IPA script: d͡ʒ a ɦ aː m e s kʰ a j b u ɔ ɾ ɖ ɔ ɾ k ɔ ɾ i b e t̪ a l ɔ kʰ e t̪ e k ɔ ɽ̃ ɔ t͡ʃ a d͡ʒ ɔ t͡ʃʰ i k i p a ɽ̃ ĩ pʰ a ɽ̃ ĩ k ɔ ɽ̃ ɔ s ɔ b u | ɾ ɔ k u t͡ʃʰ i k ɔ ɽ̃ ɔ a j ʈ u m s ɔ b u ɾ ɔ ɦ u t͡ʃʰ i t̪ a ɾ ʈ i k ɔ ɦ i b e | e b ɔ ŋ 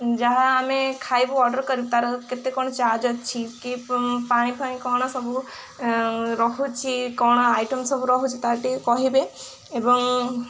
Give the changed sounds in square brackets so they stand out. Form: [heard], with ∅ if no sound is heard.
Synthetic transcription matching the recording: d͡ʒ a ɦ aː m e [∅] kʰ a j b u ɔ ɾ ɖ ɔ ɾ k ɔ ɾ i b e t̪ a [ɾ] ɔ [k] e t̪ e k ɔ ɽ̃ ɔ t͡ʃ a d͡ʒ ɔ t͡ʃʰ i k i p a ɽ̃ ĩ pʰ a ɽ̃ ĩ k ɔ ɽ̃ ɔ s ɔ b u | ɾ ɔ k u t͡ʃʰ i k ɔ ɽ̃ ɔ a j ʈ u m s ɔ b u ɾ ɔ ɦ u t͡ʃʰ i t̪ a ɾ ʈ i k ɔ ɦ i b e | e b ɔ ŋ